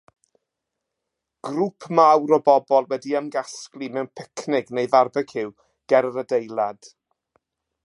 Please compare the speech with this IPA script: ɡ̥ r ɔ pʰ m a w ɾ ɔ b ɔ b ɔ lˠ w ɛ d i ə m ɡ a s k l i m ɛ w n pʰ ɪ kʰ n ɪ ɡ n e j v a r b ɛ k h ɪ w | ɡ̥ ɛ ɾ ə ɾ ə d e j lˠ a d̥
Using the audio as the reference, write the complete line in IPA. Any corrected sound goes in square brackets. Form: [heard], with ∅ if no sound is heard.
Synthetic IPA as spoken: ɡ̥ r [u] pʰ m a w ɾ ɔ b ɔ b ɔ lˠ w ɛ d i ə m ɡ a s k l i m ɛ w n pʰ ɪ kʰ n ɪ ɡ n e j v a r b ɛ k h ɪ w | ɡ̥ ɛ ɾ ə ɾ ə d e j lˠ a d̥